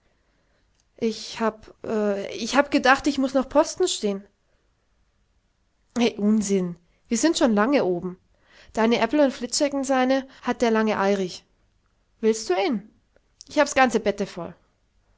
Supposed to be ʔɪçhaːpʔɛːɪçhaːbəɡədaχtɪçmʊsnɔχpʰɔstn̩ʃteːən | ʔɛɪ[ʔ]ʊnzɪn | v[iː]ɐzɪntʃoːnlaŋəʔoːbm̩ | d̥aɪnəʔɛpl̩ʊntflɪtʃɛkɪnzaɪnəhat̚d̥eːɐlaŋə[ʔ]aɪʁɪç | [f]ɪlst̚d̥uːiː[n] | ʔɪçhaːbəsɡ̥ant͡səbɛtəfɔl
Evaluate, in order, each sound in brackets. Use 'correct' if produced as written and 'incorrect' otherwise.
correct, correct, correct, incorrect: v, correct

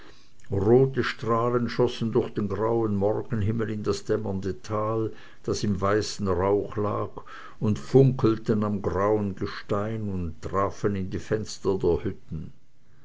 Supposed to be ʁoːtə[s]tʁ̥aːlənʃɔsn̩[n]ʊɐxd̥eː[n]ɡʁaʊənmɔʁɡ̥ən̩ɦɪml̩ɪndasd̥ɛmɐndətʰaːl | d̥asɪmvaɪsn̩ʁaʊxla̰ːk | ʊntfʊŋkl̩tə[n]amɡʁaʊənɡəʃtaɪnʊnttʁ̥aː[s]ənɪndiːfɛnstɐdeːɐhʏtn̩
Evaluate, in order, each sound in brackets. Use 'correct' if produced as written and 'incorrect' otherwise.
incorrect: ʃ, incorrect: d, correct, correct, incorrect: f

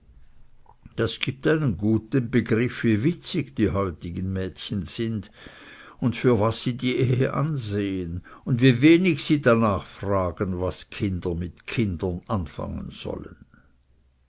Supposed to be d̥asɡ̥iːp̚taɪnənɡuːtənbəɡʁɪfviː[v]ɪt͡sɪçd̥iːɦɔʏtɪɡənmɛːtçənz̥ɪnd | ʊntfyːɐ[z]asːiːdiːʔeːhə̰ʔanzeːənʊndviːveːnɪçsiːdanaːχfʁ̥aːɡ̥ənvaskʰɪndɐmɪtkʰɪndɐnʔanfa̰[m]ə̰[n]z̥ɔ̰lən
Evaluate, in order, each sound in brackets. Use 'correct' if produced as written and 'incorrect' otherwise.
correct, incorrect: v, incorrect: ŋ, correct

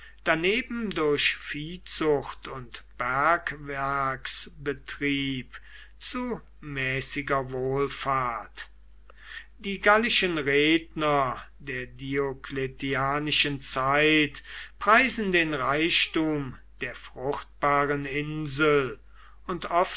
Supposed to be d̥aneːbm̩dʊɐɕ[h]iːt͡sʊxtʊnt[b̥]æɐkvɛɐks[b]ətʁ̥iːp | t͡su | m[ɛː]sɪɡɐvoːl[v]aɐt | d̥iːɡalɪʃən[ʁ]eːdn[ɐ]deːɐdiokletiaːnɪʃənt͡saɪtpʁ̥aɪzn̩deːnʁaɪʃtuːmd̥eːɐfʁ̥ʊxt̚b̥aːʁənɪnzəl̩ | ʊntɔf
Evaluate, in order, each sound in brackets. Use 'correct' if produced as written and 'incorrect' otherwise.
incorrect: f, correct, correct, correct, incorrect: f, correct, correct

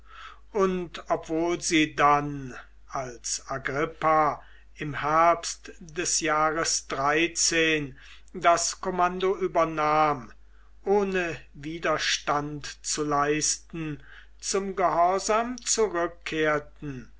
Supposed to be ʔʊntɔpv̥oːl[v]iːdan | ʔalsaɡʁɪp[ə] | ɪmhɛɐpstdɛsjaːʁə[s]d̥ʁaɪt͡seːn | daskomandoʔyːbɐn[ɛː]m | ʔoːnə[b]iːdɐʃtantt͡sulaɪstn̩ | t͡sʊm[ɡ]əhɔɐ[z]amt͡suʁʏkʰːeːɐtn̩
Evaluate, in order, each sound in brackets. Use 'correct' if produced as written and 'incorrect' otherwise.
incorrect: z, incorrect: a, correct, incorrect: aː, incorrect: v, correct, correct

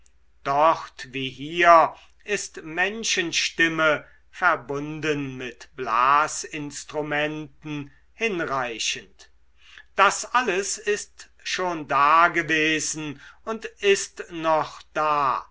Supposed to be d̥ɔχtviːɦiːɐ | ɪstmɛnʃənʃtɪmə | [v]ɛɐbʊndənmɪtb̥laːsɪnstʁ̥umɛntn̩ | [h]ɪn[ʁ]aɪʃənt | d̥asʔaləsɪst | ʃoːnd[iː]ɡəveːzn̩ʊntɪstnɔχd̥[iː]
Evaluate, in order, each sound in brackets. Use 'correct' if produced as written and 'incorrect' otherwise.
incorrect: f, correct, correct, incorrect: aː, incorrect: aː

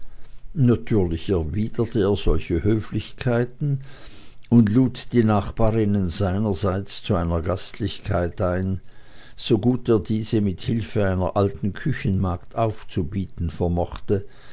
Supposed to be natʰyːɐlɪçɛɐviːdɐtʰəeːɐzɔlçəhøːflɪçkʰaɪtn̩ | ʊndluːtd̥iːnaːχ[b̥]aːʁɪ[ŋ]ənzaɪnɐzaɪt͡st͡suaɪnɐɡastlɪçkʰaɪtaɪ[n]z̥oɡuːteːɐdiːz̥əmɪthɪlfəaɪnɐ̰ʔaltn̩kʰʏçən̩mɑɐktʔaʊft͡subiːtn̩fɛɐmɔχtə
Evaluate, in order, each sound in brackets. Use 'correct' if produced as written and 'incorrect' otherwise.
correct, incorrect: n, correct

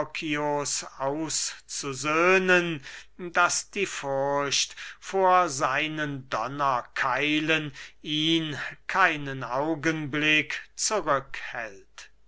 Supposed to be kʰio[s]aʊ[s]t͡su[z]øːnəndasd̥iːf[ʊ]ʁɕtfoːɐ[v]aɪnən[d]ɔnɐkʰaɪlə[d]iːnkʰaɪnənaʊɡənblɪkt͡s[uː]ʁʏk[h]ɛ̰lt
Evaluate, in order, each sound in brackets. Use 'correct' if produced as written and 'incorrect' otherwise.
correct, correct, correct, correct, incorrect: z, correct, incorrect: n, incorrect: u, correct

